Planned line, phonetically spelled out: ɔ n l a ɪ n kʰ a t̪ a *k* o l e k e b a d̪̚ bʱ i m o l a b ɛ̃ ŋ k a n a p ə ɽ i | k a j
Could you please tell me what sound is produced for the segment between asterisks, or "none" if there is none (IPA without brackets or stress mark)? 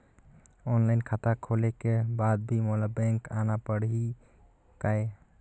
kʰ